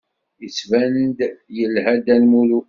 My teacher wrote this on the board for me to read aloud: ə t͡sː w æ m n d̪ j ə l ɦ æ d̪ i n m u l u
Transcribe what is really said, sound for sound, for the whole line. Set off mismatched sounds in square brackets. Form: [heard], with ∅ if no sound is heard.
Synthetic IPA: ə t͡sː [v] æ [n] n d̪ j ə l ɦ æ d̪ [æ] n m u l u